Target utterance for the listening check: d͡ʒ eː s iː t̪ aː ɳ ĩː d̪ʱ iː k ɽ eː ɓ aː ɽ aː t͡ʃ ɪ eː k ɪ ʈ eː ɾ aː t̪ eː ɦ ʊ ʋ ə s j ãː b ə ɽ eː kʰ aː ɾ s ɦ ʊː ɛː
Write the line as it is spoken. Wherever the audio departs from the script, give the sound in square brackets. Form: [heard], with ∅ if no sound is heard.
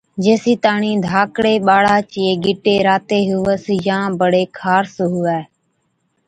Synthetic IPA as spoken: d͡ʒ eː s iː t̪ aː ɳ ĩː d̪ʱ [aː] k ɽ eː ɓ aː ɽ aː t͡ʃ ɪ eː [ɡ] ɪ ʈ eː ɾ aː t̪ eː ɦ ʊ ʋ ə s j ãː b ə ɽ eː kʰ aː ɾ s ɦ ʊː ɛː